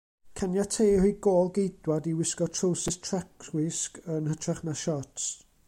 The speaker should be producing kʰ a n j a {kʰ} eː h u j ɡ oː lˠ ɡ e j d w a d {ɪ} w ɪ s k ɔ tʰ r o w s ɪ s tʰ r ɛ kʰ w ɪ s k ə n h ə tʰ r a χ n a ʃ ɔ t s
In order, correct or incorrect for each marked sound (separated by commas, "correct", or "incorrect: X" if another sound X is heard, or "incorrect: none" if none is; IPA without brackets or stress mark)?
incorrect: tʰ, incorrect: i